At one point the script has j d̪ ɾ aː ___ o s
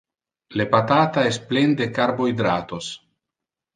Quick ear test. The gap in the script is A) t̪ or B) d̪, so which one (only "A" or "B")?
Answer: A